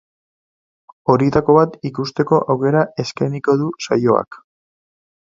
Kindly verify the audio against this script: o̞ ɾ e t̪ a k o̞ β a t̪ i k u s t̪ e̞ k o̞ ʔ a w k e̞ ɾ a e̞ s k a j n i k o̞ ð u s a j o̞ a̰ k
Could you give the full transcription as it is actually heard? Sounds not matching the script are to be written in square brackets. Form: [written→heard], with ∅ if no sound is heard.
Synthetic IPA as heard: o̞ ɾ [e→i] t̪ a k o̞ β a t̪ i k u s t̪ e̞ k o̞ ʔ a w k e̞ ɾ a e̞ s k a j n i k o̞ ð u s a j o̞ a̰ k

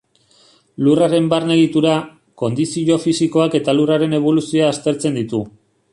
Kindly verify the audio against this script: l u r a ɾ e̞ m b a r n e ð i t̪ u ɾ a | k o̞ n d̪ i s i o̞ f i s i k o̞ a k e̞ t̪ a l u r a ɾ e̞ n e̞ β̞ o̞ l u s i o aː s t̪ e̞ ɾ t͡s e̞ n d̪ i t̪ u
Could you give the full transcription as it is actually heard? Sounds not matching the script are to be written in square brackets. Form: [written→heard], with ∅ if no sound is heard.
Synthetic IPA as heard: l u r a ɾ e̞ m b a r n e ð i t̪ u ɾ a | k o̞ n d̪ i s i o̞ f i s i k o̞ a k e̞ t̪ a l u r a ɾ e̞ n e̞ β̞ o̞ l u s i o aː s t̪ e̞ ɾ t͡s e̞ n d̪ i t̪ u

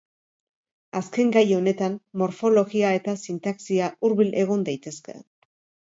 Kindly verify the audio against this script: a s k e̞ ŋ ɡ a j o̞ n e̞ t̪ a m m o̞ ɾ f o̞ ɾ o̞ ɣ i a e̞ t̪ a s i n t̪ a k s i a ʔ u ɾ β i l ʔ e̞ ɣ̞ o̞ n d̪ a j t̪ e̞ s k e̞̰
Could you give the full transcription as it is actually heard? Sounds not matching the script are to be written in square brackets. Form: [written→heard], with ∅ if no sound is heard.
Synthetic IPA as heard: a s k e̞ ŋ ɡ a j o̞ n e̞ t̪ a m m o̞ ɾ f o̞ [ɾ→l] o̞ ɣ i a e̞ t̪ a s i n t̪ a k s i a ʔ u ɾ β i l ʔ e̞ ɣ̞ o̞ n d̪ a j t̪ e̞ s k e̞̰

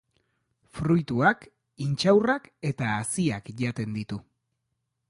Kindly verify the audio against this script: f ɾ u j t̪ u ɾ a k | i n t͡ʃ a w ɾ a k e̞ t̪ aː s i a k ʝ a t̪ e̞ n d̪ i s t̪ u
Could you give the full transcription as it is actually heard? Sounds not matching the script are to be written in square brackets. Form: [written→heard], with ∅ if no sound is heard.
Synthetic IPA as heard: f ɾ u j t̪ u [ɾ→∅] a k | i n t͡ʃ a w [ɾ→r] a k e̞ t̪ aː s i a k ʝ a t̪ e̞ n d̪ i [s→∅] t̪ u

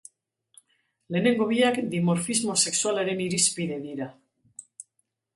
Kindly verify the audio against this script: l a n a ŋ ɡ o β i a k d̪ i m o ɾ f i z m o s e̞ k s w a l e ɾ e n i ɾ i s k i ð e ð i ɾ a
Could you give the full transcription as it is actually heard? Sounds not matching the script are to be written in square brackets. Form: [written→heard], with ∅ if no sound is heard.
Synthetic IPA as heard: l [a→e] n [a→e] ŋ ɡ o β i a k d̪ i m o ɾ f i z m o s e̞ k s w a l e ɾ e n i ɾ i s [k→p] i ð e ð i ɾ a

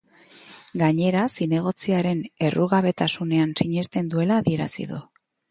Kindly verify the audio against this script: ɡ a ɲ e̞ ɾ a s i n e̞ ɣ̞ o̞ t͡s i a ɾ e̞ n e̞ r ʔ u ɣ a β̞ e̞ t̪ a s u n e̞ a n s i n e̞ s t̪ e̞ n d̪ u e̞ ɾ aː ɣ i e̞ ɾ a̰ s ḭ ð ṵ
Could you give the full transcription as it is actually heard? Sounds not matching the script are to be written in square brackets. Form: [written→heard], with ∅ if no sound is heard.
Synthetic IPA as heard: ɡ a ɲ e̞ ɾ a s i n e̞ ɣ̞ o̞ t͡s i a ɾ e̞ n e̞ r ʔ u ɣ a β̞ e̞ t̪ a s u n e̞ a n s i [n→ɲ] e̞ s t̪ e̞ n d̪ u e̞ [ɾ→l] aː [ɣ→ð] i e̞ ɾ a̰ s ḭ ð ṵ

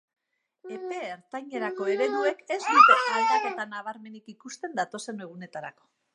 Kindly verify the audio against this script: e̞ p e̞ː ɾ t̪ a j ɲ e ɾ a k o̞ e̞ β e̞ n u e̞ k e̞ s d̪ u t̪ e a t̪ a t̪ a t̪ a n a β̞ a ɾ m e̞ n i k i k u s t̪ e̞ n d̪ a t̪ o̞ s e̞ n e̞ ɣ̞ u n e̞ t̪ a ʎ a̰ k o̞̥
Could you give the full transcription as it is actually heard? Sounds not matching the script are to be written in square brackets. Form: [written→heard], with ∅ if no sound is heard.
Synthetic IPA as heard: e̞ p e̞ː ɾ t̪ a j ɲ e ɾ a k o̞ e̞ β e̞ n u e̞ k e̞ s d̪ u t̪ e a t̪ a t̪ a t̪ a n a β̞ a ɾ m e̞ n i k i k u s t̪ e̞ n d̪ a t̪ o̞ s e̞ n e̞ ɣ̞ u n e̞ t̪ a [ʎ→ɾ] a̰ k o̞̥

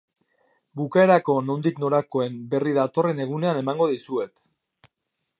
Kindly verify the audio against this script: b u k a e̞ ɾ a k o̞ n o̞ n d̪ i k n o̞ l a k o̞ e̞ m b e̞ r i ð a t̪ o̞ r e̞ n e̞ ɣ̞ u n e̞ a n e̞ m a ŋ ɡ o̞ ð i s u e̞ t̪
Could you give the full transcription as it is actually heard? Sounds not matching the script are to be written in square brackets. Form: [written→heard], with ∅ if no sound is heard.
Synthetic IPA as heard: b u k a e̞ ɾ a k o̞ n o̞ n d̪ i k n o̞ [l→ɾ] a k o̞ e̞ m b e̞ r i ð a t̪ o̞ r e̞ n e̞ ɣ̞ u n e̞ a n e̞ m a ŋ ɡ o̞ ð i s u e̞ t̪

